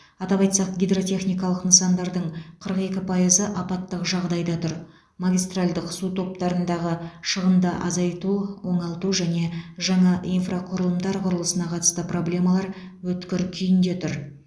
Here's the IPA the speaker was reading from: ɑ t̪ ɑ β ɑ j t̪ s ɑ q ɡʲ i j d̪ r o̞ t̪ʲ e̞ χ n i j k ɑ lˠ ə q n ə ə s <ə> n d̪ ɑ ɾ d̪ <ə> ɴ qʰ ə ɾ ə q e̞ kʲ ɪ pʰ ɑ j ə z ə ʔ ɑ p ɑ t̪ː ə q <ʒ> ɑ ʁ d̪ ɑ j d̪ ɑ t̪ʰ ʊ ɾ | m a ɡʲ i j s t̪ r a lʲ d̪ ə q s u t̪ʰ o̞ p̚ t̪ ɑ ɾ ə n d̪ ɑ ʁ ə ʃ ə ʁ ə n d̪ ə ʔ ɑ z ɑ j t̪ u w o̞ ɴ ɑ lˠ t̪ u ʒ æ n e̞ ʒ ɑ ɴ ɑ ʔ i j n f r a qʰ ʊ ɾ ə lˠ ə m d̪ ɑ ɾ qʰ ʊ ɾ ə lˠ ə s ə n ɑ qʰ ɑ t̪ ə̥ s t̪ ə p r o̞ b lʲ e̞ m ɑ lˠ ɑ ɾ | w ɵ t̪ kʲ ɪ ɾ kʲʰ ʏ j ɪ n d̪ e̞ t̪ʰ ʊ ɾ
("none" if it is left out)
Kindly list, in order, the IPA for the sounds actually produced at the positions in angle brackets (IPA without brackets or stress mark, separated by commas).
ɑ, ə, ʒ